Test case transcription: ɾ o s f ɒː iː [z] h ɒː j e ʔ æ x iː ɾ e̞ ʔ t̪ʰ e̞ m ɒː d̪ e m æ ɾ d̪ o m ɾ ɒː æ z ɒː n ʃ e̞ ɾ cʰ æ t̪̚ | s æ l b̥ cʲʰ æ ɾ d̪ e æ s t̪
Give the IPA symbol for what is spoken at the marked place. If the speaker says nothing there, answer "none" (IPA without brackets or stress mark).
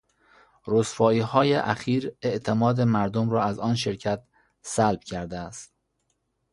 none